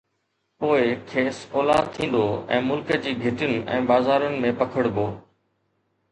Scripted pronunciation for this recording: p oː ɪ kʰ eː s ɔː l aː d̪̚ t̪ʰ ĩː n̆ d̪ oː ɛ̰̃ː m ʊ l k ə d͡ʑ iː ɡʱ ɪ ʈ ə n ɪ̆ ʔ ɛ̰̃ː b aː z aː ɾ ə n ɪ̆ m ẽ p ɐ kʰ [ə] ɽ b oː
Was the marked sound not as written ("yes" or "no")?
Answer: no